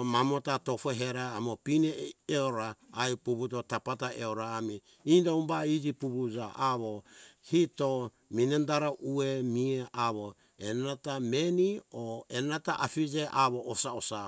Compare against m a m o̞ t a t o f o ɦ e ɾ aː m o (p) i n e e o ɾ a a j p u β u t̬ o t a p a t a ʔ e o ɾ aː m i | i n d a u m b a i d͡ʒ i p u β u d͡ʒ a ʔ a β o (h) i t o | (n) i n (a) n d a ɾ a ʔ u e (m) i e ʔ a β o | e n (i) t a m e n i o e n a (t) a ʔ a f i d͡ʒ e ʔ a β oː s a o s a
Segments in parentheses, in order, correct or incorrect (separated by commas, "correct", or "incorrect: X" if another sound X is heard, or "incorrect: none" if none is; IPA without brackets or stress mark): correct, correct, incorrect: m, incorrect: e, correct, incorrect: a, correct